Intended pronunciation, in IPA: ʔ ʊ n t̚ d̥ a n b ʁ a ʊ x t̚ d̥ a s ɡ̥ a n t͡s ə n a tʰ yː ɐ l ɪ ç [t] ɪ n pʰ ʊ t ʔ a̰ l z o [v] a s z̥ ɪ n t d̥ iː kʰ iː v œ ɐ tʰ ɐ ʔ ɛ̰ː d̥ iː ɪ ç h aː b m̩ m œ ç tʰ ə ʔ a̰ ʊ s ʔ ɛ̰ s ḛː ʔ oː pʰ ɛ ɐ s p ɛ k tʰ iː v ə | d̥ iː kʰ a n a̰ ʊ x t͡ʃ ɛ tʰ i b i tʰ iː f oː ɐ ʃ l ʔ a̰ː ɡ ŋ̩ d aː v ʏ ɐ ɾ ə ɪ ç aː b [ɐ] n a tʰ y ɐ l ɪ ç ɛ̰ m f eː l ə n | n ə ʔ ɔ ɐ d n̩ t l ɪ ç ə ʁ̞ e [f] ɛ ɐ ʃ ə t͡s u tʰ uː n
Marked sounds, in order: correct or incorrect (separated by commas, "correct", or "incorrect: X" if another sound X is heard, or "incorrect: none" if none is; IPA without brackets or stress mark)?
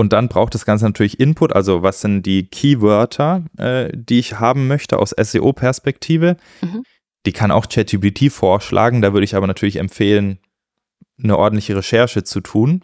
incorrect: ʔ, correct, correct, incorrect: ʃ